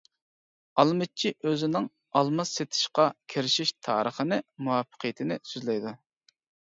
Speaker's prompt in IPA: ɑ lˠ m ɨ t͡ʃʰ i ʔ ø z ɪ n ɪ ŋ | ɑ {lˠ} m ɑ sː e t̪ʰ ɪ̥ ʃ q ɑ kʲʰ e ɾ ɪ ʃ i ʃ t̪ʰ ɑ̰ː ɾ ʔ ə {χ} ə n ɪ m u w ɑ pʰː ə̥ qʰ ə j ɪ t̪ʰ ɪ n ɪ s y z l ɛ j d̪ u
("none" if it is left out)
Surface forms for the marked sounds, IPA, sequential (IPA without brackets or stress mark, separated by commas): lˠ, χ